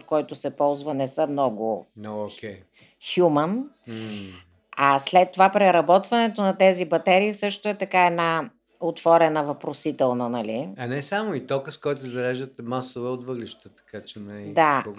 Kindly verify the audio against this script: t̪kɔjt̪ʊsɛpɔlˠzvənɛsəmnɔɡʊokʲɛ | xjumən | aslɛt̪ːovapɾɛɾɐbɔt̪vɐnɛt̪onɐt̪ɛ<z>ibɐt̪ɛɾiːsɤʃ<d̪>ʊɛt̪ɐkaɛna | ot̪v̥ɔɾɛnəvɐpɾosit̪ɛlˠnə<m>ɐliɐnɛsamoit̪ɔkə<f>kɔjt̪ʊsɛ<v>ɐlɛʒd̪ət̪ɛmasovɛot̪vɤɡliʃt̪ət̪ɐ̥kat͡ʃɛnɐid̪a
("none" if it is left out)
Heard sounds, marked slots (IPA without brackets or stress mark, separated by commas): z, t̪, n, s, z